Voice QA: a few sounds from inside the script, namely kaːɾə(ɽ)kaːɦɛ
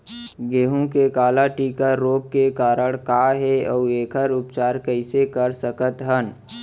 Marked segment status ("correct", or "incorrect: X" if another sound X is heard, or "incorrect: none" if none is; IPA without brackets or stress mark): correct